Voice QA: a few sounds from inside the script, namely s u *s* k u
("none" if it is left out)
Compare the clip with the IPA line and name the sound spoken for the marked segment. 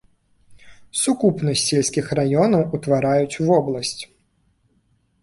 none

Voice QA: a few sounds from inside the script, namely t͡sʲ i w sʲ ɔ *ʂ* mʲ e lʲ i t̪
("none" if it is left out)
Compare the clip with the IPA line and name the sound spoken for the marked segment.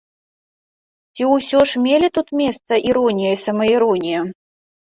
ʂ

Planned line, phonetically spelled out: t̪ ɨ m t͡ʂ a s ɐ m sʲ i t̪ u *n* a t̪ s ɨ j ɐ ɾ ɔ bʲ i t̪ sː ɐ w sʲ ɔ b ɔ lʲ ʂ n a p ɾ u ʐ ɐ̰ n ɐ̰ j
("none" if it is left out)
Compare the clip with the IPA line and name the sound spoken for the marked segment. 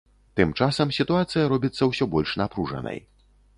none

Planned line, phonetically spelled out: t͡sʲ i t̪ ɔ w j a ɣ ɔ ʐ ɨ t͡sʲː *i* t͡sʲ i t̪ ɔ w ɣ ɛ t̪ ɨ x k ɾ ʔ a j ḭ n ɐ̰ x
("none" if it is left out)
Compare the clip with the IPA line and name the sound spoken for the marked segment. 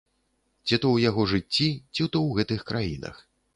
i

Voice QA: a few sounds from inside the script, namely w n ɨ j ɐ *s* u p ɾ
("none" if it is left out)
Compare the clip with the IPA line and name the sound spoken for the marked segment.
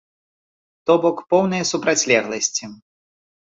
s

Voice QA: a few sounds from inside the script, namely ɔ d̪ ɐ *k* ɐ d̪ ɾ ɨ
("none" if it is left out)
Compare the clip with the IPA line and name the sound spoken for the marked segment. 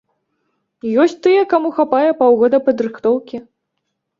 p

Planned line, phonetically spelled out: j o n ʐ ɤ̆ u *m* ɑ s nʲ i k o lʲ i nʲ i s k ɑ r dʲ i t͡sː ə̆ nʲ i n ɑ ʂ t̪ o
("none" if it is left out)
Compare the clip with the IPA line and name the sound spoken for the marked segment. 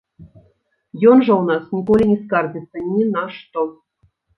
n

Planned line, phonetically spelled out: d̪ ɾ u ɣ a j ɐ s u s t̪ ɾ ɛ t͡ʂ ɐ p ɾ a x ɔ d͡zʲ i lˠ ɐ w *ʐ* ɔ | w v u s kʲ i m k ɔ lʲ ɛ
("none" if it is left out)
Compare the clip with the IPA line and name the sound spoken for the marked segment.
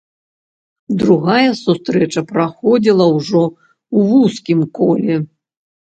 ʐ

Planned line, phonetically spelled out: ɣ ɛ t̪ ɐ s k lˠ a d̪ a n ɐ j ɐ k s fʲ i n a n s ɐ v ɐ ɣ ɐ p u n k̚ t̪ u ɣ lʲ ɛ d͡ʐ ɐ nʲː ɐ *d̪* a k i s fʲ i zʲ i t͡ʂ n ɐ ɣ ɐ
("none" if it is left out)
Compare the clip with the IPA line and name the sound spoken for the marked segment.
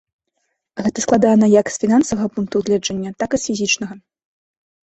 t̪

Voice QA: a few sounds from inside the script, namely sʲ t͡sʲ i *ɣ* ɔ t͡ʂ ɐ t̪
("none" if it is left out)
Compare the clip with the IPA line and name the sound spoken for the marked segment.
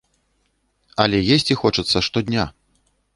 x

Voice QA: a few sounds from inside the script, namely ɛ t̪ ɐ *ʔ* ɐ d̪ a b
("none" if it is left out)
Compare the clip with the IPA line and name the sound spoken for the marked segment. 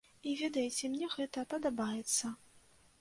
p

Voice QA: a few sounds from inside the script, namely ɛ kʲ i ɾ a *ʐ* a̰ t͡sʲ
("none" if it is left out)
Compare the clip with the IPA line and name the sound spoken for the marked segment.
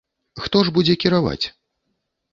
v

